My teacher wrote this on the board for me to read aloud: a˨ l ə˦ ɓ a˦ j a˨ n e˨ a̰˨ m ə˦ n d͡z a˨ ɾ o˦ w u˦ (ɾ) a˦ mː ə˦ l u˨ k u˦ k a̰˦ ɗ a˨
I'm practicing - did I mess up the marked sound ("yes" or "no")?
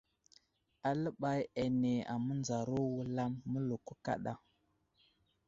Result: yes